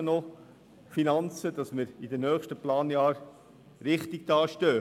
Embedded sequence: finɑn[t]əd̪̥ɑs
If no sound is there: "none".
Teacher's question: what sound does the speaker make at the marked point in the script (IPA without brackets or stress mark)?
t͡s